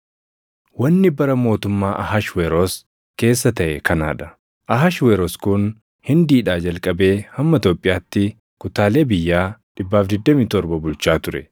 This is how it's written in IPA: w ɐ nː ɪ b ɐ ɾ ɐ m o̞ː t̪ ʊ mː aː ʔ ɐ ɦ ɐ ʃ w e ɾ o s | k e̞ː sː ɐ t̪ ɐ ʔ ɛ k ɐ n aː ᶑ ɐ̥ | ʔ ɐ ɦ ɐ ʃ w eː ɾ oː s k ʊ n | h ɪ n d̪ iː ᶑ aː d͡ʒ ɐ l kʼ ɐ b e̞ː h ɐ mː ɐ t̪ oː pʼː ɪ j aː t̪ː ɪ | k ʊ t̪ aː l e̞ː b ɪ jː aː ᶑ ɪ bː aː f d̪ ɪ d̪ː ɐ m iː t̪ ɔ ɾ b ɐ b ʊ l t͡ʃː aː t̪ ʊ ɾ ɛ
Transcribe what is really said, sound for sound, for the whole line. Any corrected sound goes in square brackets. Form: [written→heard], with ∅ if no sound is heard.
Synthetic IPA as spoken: w ɐ nː ɪ b ɐ ɾ ɐ m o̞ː t̪ ʊ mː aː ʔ ɐ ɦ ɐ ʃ w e ɾ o s | k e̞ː sː ɐ t̪ ɐ ʔ ɛ k ɐ n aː ᶑ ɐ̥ | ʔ ɐ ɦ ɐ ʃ w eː ɾ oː s k ʊ n | h ɪ n d̪ iː ᶑ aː d͡ʒ ɐ l kʼ ɐ b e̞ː h ɐ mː ɐ t̪ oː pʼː ɪ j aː t̪ː ɪ | k ʊ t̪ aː l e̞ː b ɪ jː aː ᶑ ɪ bː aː f d̪ ɪ d̪ː ɐ m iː t̪ ɔ ɾ b ɐ b ʊ l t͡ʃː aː t̪ ʊ ɾ ɛ